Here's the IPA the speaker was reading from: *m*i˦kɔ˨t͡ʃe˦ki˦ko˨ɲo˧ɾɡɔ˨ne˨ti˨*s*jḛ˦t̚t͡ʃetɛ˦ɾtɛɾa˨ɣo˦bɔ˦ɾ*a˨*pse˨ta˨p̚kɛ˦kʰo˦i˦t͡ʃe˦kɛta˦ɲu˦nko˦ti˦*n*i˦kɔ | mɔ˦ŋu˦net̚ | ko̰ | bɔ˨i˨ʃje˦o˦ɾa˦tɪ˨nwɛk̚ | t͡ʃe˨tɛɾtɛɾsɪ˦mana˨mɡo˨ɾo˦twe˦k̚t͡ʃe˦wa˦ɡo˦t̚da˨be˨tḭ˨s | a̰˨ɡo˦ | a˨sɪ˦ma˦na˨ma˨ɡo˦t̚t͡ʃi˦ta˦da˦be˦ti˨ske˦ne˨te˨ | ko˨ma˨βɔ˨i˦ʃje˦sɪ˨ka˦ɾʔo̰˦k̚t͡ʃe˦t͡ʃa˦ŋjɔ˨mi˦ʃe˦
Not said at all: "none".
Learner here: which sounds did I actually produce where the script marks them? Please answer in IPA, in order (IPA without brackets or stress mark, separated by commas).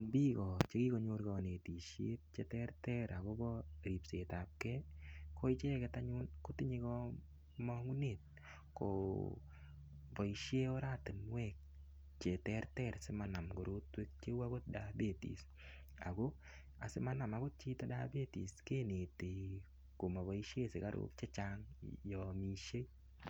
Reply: b, ʃ, i˨, ɲ